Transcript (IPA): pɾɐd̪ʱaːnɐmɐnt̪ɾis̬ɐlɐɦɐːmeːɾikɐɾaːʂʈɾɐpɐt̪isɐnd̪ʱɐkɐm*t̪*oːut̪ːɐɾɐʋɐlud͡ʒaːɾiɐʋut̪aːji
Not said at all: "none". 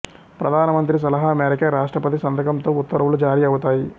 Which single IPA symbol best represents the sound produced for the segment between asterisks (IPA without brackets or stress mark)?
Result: t̪